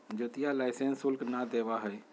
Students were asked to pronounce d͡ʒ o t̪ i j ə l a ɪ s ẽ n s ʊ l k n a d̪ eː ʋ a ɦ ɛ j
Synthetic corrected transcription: d͡ʒ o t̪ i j a l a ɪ s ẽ n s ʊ l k n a d̪ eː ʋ a ɦ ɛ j